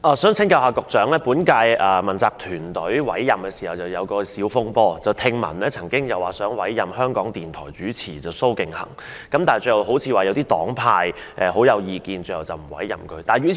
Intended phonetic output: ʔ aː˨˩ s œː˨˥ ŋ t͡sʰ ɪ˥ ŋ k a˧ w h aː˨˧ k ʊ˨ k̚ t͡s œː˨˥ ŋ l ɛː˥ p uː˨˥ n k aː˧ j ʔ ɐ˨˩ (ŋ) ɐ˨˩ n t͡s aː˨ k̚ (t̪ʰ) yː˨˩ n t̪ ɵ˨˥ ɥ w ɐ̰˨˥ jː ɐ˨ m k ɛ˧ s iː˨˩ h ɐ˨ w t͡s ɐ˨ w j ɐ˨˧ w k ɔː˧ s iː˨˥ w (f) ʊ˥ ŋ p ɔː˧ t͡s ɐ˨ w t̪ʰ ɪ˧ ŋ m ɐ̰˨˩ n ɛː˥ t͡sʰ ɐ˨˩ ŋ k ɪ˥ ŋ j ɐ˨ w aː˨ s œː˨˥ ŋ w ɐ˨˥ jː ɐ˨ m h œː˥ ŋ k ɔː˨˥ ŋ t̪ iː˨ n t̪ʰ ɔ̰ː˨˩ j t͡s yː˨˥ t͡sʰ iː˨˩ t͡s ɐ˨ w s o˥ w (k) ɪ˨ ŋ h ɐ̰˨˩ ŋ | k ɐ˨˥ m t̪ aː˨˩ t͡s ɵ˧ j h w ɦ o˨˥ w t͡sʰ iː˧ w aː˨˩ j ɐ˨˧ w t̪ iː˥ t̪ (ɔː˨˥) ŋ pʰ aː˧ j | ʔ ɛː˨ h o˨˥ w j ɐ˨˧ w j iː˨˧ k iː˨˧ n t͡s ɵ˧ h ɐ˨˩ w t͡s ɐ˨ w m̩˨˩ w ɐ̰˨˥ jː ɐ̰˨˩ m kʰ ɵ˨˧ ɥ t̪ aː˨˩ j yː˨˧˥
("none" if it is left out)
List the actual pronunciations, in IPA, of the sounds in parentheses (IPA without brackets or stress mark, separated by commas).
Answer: m, t̪ʰ, f, k, ɔː˨˥